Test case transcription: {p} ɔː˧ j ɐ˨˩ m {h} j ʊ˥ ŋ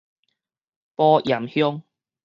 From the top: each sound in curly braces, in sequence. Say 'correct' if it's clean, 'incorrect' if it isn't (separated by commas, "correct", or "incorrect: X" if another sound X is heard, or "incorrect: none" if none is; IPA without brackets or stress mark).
correct, correct